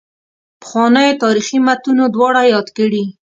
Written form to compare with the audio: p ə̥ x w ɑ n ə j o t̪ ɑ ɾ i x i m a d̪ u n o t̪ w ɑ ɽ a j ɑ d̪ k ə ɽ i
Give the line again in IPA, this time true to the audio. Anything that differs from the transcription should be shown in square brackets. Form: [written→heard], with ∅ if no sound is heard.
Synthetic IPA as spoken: p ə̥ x w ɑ n ə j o t̪ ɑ ɾ i x i m a [d̪→t̪] u n o [t̪→d̪] w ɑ ɽ a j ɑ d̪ k ə ɽ i